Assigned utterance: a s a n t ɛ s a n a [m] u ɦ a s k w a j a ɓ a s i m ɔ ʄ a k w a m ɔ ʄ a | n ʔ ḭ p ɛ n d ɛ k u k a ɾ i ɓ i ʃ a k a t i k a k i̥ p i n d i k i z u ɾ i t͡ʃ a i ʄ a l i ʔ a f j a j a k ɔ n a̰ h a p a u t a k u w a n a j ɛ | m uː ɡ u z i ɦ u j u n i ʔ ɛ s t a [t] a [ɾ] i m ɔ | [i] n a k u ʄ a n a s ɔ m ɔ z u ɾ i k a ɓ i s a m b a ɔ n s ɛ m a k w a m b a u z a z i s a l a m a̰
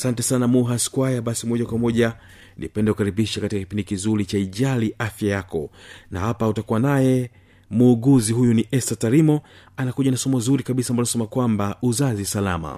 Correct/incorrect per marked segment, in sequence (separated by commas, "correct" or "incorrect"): correct, correct, correct, incorrect